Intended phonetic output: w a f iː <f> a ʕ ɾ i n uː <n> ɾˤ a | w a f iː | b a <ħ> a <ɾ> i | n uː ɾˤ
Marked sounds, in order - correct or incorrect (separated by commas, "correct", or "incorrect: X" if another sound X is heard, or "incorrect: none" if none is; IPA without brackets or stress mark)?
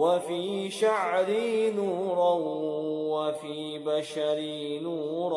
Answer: incorrect: ʃ, incorrect: none, incorrect: ʃ, correct